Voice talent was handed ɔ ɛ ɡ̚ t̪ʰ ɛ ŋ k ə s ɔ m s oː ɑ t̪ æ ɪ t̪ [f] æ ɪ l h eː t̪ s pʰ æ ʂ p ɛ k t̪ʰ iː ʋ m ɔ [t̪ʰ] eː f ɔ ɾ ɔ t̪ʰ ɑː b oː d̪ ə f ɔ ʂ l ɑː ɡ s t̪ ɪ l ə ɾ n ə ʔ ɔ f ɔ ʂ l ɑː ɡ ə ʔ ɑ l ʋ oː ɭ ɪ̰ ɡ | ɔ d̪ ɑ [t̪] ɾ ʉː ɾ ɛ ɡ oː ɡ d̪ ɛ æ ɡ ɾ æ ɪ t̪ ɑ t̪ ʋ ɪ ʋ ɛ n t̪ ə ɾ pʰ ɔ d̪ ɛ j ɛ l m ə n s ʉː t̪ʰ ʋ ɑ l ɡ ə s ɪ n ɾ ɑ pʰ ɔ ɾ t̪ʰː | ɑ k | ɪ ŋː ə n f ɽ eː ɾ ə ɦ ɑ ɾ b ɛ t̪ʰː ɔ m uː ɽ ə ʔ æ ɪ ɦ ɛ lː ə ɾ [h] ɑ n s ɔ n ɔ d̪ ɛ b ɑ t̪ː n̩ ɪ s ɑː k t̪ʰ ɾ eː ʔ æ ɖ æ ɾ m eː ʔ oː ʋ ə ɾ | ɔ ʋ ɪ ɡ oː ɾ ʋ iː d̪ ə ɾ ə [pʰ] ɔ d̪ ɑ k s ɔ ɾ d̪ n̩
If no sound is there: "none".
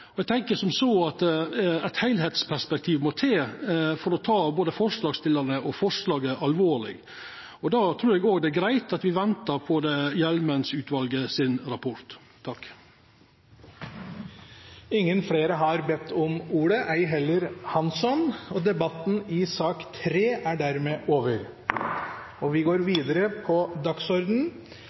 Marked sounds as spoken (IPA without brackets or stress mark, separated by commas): h, t̪ʰ, t̪ʰ, h, pʰ